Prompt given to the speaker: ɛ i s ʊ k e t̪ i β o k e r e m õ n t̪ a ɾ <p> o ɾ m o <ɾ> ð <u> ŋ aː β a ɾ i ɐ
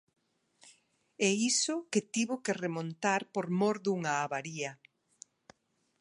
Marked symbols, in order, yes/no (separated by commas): yes, yes, yes